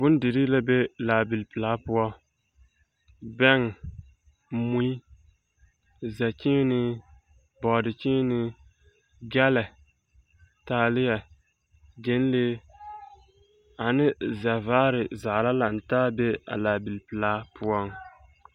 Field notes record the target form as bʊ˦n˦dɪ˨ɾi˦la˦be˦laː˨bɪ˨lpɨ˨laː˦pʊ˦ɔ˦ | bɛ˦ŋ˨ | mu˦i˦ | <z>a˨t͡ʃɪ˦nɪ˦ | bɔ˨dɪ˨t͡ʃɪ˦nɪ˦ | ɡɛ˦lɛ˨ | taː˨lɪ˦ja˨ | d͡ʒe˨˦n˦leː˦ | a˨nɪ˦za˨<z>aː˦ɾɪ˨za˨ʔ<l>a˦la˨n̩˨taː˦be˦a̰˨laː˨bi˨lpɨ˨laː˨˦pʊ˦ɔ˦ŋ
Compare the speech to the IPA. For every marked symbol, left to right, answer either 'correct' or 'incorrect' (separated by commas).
correct, incorrect, correct